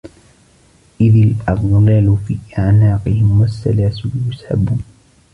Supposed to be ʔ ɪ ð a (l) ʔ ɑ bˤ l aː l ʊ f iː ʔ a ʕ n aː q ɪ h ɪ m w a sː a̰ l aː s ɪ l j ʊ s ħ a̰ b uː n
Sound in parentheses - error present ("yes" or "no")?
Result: no